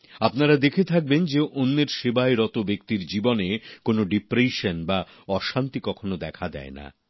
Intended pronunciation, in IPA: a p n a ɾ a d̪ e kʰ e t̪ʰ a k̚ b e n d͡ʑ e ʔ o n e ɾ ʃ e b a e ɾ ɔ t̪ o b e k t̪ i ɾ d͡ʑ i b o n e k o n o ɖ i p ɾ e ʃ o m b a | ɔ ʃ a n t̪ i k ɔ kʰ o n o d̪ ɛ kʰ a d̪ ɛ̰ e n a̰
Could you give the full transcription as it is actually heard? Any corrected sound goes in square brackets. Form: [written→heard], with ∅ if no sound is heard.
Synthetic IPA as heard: a p n a ɾ a d̪ e kʰ e t̪ʰ a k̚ b e n d͡ʑ e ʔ o [n→nː] e ɾ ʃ e b a e ɾ ɔ t̪ o b e k t̪ i ɾ d͡ʑ i b o n e k o n o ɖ i p ɾ e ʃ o [m→n] b a | ɔ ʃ a n t̪ i k ɔ kʰ o n o d̪ ɛ kʰ a d̪ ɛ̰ e n a̰